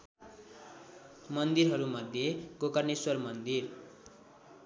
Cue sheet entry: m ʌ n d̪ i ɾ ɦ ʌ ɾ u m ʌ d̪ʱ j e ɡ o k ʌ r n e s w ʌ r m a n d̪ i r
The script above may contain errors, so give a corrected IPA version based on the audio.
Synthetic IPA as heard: m ʌ n d̪ i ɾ ɦ ʌ ɾ u m ʌ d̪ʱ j e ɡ o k ʌ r n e s w ʌ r m ʌ n d̪ i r